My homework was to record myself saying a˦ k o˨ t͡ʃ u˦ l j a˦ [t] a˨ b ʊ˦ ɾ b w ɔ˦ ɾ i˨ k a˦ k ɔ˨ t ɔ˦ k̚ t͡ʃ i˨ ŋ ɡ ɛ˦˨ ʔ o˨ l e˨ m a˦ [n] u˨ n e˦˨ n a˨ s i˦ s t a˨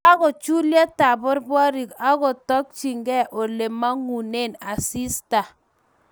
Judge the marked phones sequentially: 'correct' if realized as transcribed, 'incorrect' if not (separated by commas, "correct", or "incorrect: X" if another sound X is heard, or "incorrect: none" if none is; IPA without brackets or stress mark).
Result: correct, incorrect: ŋ